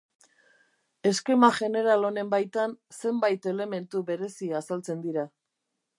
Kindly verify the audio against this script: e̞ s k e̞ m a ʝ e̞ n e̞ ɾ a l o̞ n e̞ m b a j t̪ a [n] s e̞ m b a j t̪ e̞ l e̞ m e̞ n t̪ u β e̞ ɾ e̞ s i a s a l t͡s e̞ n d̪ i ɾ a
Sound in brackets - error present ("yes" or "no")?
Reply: no